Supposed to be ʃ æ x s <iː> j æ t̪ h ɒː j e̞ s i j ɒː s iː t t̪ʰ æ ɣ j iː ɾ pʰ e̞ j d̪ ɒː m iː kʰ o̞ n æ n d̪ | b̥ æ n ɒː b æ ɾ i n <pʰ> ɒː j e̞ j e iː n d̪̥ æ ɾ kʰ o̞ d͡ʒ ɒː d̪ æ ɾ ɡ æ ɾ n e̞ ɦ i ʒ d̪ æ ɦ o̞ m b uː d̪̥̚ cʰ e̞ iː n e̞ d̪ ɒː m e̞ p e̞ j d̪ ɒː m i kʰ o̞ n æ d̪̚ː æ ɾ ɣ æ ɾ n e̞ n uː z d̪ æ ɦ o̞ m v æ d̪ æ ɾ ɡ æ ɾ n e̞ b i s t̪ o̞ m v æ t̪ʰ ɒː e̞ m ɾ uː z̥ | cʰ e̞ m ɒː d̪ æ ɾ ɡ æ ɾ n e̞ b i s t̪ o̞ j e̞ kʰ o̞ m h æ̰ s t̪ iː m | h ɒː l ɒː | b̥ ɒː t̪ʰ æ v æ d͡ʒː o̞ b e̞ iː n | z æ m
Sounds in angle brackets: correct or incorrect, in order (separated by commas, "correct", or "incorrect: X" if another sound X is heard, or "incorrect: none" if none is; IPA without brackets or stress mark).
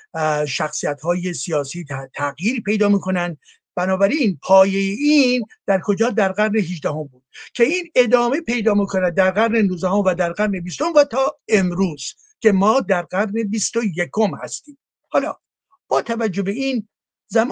incorrect: i, correct